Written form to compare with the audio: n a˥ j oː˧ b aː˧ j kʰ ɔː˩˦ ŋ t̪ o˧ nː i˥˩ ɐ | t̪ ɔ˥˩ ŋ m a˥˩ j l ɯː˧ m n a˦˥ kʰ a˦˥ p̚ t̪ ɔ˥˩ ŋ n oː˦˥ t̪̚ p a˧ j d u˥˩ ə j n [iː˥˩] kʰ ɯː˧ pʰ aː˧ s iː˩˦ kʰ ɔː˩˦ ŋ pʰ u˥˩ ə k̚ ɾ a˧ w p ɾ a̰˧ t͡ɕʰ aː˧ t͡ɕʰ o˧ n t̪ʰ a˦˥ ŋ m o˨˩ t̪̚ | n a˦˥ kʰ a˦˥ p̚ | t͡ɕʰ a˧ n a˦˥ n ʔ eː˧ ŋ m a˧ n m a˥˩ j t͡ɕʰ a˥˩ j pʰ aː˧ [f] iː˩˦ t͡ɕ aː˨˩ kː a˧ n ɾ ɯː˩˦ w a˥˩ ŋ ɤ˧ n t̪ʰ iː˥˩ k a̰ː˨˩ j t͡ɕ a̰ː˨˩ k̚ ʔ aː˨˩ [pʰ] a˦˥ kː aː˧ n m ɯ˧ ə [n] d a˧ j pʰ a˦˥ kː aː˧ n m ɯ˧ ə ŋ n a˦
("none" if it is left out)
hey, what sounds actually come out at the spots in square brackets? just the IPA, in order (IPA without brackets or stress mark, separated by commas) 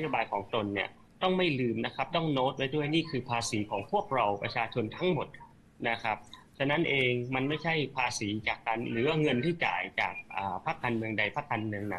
iː˥˩, s, pʰ, ŋ